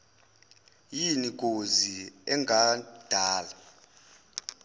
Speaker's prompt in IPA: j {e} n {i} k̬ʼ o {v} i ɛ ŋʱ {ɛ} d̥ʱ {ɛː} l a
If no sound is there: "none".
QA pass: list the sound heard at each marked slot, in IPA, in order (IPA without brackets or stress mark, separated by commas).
i, i, z, a, aː